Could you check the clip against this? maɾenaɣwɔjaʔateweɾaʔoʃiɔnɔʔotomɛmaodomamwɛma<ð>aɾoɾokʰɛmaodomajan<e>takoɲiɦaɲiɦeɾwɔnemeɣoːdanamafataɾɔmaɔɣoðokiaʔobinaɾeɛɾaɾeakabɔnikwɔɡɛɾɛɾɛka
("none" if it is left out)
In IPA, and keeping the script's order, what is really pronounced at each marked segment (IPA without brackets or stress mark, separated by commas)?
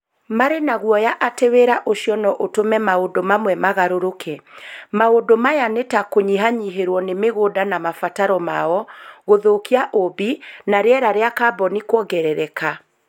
ɣ, e